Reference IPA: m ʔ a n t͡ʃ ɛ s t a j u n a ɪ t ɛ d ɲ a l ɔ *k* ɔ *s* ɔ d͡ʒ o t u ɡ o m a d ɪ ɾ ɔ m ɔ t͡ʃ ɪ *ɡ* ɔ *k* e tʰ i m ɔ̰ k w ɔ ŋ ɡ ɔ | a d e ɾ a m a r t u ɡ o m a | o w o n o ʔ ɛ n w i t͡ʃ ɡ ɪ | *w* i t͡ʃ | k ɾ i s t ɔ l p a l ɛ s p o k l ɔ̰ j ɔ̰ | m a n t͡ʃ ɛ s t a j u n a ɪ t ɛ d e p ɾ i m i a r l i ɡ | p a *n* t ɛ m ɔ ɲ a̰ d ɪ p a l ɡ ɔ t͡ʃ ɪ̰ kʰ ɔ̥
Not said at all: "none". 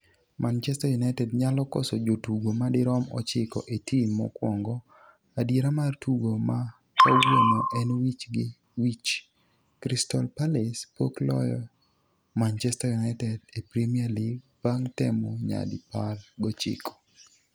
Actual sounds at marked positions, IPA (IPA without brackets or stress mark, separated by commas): k, s, k, ʔ, w, ŋ